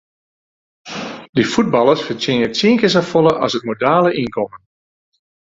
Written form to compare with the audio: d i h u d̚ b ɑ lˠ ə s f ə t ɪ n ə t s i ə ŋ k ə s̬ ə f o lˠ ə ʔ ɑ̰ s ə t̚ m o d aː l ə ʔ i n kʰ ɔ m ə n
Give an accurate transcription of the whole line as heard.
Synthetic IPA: d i f u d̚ b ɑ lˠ ə s f ə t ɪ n ə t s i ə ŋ k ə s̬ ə f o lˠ ə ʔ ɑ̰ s ə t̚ m o d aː l ə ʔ i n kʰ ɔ m ə n